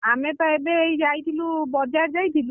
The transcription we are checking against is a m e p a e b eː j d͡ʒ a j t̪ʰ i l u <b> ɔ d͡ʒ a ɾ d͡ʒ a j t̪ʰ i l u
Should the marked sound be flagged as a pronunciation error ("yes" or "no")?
no